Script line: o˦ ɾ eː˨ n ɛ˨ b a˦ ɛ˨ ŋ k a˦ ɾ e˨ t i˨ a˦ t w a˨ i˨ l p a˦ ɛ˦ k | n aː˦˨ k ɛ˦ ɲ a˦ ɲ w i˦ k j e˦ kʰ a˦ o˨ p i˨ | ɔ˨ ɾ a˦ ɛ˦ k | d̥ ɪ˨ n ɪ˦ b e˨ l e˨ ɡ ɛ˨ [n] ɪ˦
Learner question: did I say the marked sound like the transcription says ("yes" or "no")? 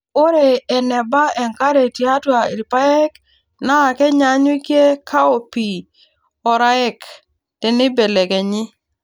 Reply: no